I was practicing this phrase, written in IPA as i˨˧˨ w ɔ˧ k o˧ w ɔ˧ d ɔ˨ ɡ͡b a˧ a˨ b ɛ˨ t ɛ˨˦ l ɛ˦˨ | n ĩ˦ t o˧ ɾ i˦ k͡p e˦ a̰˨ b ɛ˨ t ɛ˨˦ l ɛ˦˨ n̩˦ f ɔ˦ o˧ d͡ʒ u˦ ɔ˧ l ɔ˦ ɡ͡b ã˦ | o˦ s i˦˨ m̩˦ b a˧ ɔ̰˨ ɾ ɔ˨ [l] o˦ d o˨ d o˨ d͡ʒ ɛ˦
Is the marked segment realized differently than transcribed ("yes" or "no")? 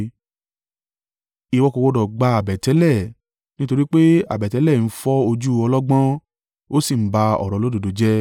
no